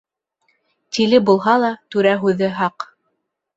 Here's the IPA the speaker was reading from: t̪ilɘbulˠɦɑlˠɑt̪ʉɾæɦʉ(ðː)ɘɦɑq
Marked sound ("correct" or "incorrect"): incorrect